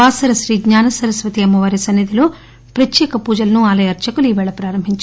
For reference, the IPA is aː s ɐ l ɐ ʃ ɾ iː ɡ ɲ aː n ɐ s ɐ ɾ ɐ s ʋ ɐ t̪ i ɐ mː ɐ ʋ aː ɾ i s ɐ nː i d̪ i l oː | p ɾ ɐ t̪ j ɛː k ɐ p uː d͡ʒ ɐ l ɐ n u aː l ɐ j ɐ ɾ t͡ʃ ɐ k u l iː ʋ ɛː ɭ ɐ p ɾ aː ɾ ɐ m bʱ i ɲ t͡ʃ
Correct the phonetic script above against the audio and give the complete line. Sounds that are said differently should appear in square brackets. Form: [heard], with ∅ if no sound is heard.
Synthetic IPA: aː s ɐ [ɾ] ɐ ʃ ɾ iː ɡ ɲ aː n ɐ s ɐ ɾ ɐ s ʋ ɐ t̪ i ɐ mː ɐ ʋ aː ɾ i s ɐ nː i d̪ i l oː | p ɾ ɐ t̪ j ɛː k ɐ p uː d͡ʒ ɐ l ɐ n u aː l ɐ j ɐ ɾ t͡ʃ ɐ k u l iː ʋ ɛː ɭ ɐ p ɾ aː ɾ ɐ m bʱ i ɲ t͡ʃ